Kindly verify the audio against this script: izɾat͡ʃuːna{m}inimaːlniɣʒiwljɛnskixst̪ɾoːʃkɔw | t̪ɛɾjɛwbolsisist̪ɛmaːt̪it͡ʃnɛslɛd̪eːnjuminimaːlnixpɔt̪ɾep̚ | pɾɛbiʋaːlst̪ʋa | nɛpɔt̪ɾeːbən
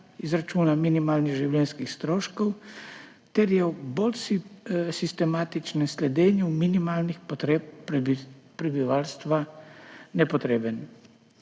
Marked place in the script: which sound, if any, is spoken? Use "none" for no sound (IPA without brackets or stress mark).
m